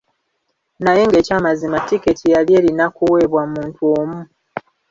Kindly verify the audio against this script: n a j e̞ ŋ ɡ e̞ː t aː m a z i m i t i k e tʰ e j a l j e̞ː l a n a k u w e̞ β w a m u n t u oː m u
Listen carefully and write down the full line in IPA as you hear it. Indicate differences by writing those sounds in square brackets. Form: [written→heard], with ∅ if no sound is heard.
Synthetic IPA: n a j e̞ ŋ ɡ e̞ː [t→c] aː m a z i m [i→a] t i k e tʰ [e→i] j a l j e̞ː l [a→i] n a k u w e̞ β w a m [u→uː] n t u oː m u